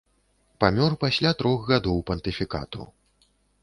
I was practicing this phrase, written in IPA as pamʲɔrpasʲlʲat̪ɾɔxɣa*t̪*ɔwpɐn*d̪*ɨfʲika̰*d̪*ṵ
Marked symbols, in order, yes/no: no, no, no

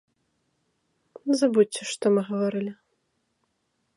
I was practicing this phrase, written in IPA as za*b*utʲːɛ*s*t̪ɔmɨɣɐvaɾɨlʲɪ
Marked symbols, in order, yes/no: yes, no

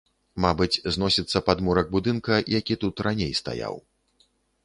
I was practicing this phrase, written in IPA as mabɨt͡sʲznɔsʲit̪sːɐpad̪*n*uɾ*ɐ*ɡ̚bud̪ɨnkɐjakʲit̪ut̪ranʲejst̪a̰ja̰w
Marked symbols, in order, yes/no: no, yes

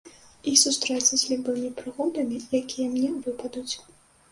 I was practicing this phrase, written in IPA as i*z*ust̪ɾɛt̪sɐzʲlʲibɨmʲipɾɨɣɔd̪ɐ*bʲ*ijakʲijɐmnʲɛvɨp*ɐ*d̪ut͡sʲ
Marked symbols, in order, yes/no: no, no, yes

